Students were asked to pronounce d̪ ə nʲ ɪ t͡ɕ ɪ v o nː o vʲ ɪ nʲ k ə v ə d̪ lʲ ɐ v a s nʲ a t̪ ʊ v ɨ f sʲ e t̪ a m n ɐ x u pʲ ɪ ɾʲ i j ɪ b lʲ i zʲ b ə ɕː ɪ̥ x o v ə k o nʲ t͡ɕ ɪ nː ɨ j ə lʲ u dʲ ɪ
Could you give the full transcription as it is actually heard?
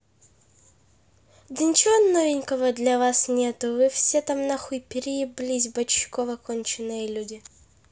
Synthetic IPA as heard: d̪ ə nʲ ɪ t͡ɕ ɪ v o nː o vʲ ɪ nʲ k ə v ə d̪ lʲ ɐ v a s nʲ e t̪ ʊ v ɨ f sʲ e t̪ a m n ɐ x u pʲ ɪ ɾʲ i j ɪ b lʲ i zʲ b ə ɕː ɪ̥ k o v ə k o nʲ t͡ɕ ɪ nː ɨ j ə lʲ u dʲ ɪ